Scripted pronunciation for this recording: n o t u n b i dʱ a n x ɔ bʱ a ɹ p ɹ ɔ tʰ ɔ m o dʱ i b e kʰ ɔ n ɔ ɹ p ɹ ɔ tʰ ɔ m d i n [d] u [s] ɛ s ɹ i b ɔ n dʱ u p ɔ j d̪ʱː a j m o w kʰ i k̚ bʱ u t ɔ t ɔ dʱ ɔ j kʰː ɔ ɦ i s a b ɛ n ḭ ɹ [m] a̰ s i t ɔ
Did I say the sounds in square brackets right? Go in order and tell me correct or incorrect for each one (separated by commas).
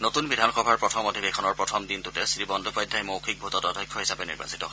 incorrect, incorrect, incorrect